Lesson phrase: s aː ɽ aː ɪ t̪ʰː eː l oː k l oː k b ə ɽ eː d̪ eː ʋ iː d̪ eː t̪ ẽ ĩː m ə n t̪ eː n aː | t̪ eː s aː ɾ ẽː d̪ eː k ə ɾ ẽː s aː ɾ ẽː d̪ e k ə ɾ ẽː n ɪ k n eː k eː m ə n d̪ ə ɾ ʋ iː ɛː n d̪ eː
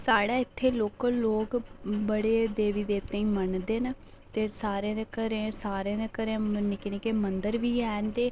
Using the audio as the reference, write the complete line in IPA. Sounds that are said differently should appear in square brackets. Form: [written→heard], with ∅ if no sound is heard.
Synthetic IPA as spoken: s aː ɽ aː ɪ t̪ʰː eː l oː k l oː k b ə ɽ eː d̪ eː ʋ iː d̪ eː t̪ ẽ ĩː m ə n [t̪→d̪] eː n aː | t̪ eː s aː ɾ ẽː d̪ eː k ə ɾ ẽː s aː ɾ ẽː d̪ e k ə ɾ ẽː n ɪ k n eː k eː m ə n d̪ ə ɾ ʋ iː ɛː n d̪ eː